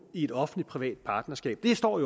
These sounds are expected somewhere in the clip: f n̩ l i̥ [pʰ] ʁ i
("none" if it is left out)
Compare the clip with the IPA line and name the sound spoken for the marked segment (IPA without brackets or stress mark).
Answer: pʰ